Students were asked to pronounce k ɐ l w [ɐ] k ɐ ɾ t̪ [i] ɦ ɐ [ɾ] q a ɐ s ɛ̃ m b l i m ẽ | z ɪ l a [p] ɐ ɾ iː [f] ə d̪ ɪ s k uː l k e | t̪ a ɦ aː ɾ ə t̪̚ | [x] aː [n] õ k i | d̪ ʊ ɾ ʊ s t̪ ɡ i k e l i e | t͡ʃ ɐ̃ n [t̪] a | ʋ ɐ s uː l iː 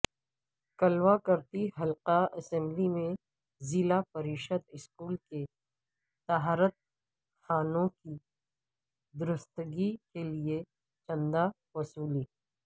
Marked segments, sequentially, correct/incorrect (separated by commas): incorrect, correct, incorrect, correct, incorrect, correct, correct, incorrect